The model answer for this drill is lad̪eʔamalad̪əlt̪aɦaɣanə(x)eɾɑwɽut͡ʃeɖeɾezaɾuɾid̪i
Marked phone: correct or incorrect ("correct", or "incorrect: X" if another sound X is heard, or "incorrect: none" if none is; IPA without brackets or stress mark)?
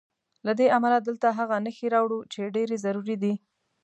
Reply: correct